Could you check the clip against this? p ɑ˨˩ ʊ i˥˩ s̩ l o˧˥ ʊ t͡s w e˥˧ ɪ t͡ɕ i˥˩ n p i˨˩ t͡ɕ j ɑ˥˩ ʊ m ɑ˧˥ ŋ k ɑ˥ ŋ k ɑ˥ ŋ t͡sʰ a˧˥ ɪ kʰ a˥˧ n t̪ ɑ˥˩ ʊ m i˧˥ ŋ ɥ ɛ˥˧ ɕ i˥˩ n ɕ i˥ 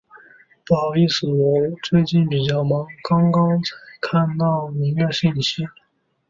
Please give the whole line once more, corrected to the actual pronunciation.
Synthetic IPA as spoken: p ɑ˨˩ ʊ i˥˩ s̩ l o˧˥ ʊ t͡s w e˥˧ ɪ t͡ɕ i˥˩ n p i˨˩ t͡ɕ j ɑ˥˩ ʊ m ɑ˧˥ ŋ k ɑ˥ ŋ k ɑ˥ ŋ t͡sʰ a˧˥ ɪ kʰ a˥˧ n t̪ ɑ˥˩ ʊ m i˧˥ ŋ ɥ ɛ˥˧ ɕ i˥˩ n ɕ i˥